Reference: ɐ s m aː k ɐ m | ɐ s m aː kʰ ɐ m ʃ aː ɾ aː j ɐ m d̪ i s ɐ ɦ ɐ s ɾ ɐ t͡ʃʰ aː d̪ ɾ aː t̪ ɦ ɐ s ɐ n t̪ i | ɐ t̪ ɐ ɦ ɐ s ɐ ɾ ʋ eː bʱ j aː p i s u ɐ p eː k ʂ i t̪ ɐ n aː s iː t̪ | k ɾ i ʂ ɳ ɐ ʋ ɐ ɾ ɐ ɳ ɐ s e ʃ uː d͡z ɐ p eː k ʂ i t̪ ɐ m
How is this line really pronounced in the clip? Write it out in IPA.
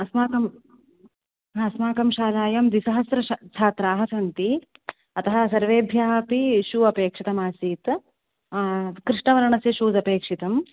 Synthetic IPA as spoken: ɐ s m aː k ɐ m | ɐ s m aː k ɐ m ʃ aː l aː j ɐ m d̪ i s ɐ ɦ ɐ s ɾ ɐ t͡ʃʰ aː t̪ ɾ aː ɦ ɐ s ɐ n t̪ i | ɐ t̪ ɐ ɦ ɐ s ɐ ɾ ʋ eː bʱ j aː p i ʃ u ɐ p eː k ʂ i t̪ ɐ m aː s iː t̪ | k ɾ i ʂ ɳ ɐ ʋ ɐ ɾ ɐ ɳ ɐ s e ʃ uː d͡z ɐ p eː k ʂ i t̪ ɐ m